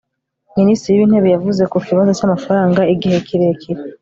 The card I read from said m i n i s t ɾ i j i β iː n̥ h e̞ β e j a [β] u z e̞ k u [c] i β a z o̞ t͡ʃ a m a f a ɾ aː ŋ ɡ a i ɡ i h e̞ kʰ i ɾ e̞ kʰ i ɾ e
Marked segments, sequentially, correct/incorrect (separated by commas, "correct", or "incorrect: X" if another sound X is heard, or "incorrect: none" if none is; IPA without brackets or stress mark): incorrect: v, incorrect: k